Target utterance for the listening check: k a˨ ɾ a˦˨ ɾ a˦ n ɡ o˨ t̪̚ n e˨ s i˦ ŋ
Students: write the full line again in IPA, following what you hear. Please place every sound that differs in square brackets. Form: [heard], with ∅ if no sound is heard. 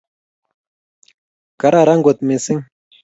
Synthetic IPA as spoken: k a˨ ɾ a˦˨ ɾ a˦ [ŋ] ɡ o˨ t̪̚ [m] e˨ s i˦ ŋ